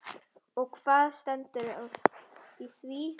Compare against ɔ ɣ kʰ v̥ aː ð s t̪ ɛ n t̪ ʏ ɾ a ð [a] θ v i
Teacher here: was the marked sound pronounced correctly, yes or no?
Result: no